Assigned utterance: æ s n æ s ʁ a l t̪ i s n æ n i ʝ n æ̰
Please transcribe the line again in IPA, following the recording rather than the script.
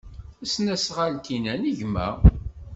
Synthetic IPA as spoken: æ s n æ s ʁ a l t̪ i n æ n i ʝ m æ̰